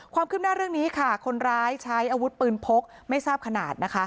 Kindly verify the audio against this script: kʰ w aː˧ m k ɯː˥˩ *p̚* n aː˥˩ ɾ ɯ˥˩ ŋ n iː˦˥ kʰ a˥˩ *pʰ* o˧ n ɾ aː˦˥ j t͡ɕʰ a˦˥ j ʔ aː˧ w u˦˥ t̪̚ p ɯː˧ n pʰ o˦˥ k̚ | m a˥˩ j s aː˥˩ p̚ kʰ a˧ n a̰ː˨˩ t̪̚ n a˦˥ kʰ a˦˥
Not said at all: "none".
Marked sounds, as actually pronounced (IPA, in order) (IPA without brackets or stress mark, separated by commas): p̚, kʰ